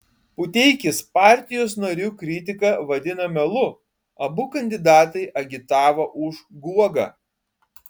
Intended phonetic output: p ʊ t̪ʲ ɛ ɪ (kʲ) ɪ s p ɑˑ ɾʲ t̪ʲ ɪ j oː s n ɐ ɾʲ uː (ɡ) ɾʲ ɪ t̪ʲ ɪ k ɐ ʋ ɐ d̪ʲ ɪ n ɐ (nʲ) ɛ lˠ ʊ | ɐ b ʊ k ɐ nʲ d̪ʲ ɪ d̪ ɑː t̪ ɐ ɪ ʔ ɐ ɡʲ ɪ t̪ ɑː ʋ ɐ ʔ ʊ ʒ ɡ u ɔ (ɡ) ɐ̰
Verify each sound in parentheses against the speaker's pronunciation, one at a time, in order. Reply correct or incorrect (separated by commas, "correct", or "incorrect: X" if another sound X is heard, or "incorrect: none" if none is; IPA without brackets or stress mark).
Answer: correct, incorrect: k, incorrect: mʲ, correct